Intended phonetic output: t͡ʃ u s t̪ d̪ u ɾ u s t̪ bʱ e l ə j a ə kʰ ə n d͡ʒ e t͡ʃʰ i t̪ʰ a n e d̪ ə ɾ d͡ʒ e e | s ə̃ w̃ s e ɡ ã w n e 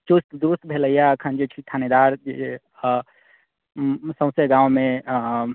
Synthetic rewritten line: t͡ʃ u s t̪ d̪ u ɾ u s t̪ bʱ e l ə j a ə kʰ ə n d͡ʒ e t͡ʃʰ i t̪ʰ a n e d̪ a ɾ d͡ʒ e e | s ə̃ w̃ s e ɡ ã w m e

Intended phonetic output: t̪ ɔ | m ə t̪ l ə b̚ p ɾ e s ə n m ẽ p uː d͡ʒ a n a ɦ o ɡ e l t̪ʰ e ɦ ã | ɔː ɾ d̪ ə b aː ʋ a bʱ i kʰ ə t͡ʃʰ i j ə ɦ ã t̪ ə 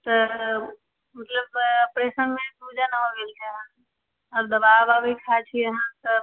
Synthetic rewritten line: t̪ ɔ | m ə t̪ l ə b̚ p ɾ e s ə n m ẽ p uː d͡ʒ a n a ɦ o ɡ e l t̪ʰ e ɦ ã | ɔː ɾ d̪ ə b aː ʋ a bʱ i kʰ a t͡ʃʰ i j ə ɦ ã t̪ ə

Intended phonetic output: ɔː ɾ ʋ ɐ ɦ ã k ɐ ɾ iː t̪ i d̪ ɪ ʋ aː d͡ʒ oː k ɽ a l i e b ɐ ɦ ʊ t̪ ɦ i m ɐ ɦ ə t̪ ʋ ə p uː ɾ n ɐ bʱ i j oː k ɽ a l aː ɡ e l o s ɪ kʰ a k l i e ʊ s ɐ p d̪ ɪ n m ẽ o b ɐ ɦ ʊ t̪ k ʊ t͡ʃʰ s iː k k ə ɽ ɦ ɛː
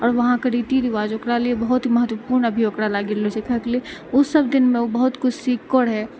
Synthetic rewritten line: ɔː ɾ ʋ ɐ ɦ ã k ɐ ɾ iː t̪ i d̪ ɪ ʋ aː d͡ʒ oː k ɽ a l i e b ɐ ɦ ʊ t̪ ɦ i m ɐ ɦ ə t̪ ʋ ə p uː ɾ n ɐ bʱ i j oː k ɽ a l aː ɡ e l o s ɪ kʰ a k l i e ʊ s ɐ b d̪ ɪ n m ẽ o b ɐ ɦ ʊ t̪ k ʊ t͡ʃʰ s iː k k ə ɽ ɦ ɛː

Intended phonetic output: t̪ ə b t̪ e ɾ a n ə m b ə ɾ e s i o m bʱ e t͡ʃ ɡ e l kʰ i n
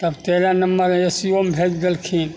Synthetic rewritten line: t̪ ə b t̪ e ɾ a n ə m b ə ɾ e s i o m bʱ e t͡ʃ ɡ e l kʰ i n

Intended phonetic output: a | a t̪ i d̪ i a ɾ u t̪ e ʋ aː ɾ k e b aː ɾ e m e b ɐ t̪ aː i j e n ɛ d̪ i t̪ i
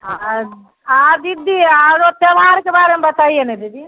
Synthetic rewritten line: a | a d̪ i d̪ i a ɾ o t̪ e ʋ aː ɾ k e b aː ɾ e m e b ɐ t̪ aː i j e n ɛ d̪ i d̪ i

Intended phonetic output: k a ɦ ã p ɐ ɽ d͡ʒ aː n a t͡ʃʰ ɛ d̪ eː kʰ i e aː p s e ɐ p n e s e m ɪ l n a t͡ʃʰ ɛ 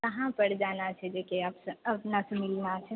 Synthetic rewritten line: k ɐ ɦ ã p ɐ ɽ d͡ʒ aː n a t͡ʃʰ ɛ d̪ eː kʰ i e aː p s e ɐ p n a s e m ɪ l n a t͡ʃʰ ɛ

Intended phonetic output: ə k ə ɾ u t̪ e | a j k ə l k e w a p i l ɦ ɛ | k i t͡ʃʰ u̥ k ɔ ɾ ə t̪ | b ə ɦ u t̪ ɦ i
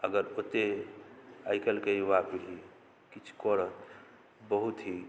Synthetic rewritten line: ə ɡ ə ɾ o t̪ e | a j k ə l k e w a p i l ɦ i | k i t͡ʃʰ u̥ k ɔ ɾ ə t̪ | b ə ɦ u t̪ ɦ i

